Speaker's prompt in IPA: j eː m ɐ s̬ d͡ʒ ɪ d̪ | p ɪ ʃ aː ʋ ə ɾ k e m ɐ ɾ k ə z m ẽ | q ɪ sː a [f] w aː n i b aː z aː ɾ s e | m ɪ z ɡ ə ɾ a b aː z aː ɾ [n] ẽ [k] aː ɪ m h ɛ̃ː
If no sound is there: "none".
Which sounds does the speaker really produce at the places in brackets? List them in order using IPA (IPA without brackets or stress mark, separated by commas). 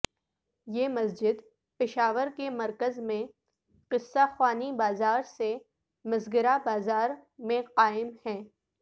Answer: x, m, q